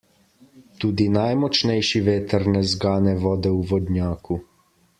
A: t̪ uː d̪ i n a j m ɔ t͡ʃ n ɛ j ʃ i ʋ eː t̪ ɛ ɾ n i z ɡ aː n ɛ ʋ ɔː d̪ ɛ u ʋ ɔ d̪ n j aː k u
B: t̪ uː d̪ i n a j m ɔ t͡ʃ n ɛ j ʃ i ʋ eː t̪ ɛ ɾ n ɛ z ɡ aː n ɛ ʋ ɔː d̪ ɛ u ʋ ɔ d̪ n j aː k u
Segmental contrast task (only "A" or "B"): B